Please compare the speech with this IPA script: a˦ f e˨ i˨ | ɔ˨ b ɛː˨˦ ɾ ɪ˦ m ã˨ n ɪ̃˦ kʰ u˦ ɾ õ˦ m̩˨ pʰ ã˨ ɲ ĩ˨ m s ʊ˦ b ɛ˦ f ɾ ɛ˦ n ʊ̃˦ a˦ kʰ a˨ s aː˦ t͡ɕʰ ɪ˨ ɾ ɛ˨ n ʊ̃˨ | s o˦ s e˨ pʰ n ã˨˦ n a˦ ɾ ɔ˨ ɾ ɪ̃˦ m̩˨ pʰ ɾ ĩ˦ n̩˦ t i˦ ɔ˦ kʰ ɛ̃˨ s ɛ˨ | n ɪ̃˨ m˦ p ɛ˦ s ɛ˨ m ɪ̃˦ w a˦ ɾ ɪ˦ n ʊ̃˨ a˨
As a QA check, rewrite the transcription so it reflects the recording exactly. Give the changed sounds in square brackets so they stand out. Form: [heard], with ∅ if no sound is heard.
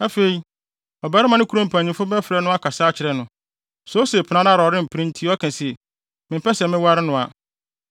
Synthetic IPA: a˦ f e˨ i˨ | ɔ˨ b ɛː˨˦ ɾ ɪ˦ m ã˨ n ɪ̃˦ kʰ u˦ ɾ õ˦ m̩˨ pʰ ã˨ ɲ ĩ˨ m [f] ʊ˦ b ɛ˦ f ɾ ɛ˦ n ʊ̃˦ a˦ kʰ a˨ s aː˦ t͡ɕʰ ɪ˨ ɾ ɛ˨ n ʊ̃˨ | s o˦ s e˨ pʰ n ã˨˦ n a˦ ɾ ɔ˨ ɾ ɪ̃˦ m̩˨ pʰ ɾ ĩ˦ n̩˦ [tʰ] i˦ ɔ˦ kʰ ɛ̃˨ s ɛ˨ | [m] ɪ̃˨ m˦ p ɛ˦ s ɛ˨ m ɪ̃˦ w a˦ ɾ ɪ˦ n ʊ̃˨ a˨